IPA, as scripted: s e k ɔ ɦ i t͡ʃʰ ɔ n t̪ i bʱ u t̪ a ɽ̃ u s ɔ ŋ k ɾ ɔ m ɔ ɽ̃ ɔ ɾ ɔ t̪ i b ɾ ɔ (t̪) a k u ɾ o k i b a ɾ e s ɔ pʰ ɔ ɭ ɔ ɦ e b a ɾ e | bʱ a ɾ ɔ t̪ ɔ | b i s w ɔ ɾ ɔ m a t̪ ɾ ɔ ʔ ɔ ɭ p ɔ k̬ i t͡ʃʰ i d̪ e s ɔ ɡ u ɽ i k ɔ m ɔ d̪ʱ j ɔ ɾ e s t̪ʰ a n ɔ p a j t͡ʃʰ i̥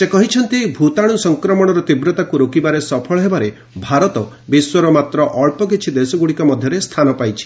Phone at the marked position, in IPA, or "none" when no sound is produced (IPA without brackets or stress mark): t̪